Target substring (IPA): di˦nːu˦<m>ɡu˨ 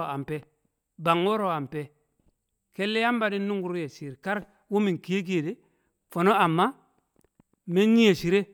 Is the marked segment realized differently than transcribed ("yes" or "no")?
yes